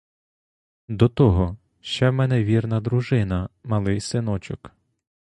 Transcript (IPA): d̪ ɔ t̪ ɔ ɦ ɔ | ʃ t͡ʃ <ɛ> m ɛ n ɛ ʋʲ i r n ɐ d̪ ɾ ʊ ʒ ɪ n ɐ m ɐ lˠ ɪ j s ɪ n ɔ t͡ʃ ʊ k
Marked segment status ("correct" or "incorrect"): correct